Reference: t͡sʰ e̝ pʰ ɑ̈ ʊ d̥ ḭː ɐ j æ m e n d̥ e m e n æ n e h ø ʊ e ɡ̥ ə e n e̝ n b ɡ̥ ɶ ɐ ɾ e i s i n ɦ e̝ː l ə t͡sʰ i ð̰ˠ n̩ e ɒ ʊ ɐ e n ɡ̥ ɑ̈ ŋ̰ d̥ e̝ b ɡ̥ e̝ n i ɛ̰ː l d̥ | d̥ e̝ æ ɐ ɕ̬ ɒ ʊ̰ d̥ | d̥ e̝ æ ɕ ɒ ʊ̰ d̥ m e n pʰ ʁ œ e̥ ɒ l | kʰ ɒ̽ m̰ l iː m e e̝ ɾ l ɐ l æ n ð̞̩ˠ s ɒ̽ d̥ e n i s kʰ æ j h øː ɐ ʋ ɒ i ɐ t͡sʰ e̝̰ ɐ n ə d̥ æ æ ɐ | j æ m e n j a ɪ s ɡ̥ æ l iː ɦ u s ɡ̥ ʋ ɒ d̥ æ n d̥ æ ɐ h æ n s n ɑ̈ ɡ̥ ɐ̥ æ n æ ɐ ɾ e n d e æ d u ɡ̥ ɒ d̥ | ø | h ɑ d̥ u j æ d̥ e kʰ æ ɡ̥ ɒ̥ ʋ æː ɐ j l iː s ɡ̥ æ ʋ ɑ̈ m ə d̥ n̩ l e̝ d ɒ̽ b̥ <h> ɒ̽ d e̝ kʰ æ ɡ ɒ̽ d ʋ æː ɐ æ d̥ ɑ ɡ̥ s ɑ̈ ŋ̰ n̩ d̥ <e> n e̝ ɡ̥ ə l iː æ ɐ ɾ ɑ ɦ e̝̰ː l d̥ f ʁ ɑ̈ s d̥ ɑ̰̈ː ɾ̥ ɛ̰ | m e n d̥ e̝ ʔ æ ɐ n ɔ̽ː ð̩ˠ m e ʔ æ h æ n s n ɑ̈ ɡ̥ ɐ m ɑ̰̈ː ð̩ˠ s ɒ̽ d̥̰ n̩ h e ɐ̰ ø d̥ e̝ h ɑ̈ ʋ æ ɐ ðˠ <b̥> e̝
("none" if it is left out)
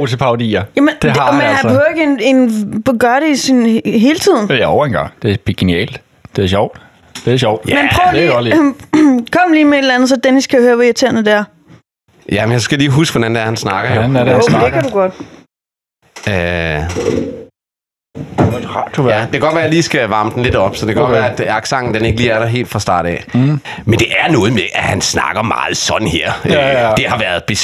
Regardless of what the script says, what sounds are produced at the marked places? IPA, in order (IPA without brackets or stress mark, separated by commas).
s, e, b̥